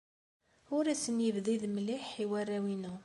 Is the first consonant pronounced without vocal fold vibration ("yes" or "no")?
no